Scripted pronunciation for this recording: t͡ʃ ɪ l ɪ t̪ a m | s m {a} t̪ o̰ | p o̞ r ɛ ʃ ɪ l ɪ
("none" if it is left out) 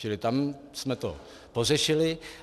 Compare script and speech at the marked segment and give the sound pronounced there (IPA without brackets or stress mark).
ɛ